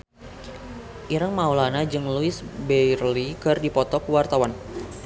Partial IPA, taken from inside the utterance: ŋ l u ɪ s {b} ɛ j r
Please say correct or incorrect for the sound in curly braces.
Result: correct